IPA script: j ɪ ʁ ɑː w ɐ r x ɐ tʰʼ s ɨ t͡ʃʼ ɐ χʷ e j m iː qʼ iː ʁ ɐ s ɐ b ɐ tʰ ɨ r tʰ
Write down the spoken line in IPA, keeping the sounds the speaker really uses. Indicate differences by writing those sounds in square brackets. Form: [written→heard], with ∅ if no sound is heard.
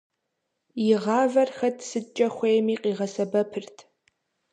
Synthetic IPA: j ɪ ʁ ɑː [w→v] ɐ r x ɐ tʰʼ s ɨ t͡ʃʼ ɐ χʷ e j m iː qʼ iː ʁ ɐ s ɐ b ɐ [tʰ→pʰ] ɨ r tʰ